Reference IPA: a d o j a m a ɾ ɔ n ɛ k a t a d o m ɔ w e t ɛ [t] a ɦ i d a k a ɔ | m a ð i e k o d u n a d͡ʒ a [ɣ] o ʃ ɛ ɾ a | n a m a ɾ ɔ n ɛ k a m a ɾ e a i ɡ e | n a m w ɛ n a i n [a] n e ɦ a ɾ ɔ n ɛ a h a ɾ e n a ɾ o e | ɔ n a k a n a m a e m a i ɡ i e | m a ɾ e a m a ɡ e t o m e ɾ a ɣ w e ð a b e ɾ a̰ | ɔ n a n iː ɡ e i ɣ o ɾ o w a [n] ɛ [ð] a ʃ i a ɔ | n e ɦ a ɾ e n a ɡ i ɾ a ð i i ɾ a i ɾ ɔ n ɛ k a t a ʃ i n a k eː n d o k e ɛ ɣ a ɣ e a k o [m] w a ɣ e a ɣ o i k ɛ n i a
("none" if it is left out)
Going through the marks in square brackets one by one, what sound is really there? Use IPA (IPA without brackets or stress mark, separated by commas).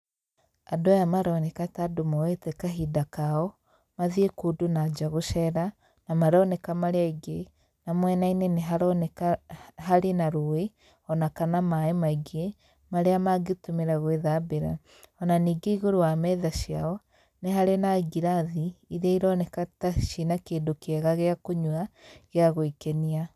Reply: k, ɣ, e, m, ð, ɲ